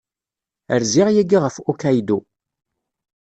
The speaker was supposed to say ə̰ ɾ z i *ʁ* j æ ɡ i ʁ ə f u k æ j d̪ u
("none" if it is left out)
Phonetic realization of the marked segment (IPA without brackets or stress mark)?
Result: ʁ